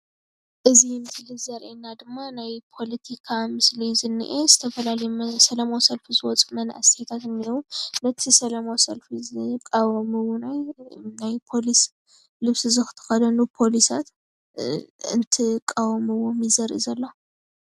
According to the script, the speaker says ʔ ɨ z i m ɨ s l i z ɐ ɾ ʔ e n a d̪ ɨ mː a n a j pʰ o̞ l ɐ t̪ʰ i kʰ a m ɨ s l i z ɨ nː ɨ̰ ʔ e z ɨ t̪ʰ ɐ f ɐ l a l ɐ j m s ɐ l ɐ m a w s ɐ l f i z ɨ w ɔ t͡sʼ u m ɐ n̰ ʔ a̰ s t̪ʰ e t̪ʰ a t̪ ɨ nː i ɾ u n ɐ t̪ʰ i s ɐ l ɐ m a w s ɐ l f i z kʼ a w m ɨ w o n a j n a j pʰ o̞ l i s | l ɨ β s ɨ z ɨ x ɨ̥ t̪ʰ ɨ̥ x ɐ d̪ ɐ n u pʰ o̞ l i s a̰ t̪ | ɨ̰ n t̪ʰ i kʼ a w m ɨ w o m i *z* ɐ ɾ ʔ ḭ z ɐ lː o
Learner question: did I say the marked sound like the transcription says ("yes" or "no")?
yes